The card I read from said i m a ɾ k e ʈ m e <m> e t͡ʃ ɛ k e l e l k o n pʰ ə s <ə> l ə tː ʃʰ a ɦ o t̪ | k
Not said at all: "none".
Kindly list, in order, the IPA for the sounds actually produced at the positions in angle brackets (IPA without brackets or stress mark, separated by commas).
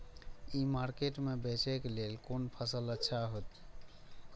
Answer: b, ə